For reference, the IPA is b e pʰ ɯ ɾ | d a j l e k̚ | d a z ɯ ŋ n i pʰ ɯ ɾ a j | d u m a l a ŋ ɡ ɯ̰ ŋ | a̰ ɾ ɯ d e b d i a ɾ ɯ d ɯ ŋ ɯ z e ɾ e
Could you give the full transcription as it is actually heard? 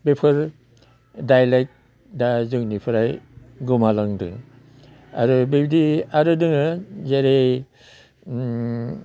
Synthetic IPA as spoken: b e pʰ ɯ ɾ | d a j l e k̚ | d a z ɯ ŋ n i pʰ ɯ ɾ a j | ɡ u m a l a ŋ d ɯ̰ ŋ | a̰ ɾ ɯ b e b d i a ɾ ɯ d ɯ ŋ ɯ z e ɾ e

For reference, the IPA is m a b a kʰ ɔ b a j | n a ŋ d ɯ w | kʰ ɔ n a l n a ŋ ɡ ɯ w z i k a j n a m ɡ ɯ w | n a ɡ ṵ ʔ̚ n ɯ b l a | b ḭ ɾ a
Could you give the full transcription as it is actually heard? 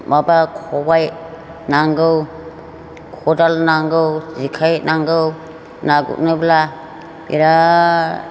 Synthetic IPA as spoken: m a b a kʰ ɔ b a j | n a ŋ ɡ ɯ w | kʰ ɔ d a l n a ŋ ɡ ɯ w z i kʰ a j n a ŋ ɡ ɯ w | n a ɡ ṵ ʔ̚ n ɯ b l a | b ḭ ɾ a

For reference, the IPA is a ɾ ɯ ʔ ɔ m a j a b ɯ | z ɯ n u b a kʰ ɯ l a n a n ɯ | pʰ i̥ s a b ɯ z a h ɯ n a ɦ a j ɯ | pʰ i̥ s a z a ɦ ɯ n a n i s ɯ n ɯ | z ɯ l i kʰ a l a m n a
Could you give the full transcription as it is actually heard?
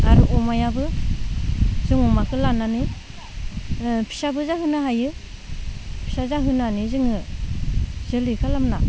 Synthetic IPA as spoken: a ɾ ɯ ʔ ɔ m a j a b ɯ | z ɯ ŋ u m a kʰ ɯ l a n a n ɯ | pʰ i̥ s a b ɯ z a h ɯ n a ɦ a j ɯ | pʰ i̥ s a z a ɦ ɯ n a n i z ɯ ŋ ɯ | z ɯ l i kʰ a l a m n a

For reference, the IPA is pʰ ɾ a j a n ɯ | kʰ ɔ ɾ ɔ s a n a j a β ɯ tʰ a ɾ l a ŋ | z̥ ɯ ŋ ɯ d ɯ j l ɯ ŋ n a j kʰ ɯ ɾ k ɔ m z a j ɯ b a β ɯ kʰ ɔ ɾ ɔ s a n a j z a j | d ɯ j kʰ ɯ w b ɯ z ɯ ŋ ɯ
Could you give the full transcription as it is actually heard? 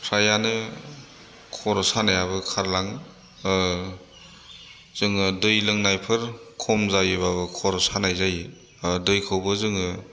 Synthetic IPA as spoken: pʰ ɾ a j a n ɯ | kʰ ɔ ɾ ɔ s a n a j a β ɯ kʰ a ɾ l a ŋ | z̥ ɯ ŋ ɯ d ɯ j l ɯ ŋ n a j pʰ ɯ ɾ kʰ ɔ m z a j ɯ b a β ɯ kʰ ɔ ɾ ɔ s a n a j z a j | d ɯ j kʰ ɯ w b ɯ z ɯ ŋ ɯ

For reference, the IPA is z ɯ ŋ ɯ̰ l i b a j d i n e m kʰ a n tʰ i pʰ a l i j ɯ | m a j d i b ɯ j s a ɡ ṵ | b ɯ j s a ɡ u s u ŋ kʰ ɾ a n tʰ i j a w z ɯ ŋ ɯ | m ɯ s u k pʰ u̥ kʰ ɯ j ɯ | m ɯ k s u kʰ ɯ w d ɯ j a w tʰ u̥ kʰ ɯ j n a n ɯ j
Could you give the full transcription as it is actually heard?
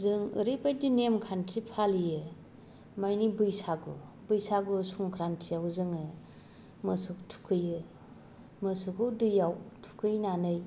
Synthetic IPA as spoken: z ɯ ŋ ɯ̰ ɾ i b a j d i n e m kʰ a n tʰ i pʰ a l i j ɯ | m a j n i b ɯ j s a ɡ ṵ | b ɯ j s a ɡ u s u ŋ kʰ ɾ a n tʰ i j a w z ɯ ŋ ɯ | m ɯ s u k tʰ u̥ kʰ ɯ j ɯ | m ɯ s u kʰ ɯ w d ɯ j a w tʰ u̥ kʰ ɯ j n a n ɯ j

